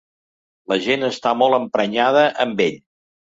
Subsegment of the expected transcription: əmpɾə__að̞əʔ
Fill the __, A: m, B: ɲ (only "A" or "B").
B